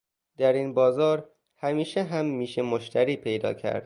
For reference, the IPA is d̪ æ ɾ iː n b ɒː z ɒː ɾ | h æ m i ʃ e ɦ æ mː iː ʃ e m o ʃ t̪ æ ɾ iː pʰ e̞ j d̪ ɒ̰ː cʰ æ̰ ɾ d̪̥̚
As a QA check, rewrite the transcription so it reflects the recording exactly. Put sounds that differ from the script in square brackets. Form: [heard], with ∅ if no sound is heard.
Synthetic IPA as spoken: d̪ æ ɾ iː n b ɒː z ɒː ɾ | h æ m [iː] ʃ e ɦ æ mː iː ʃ e m o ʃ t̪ æ ɾ iː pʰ e̞ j d̪ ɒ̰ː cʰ æ̰ ɾ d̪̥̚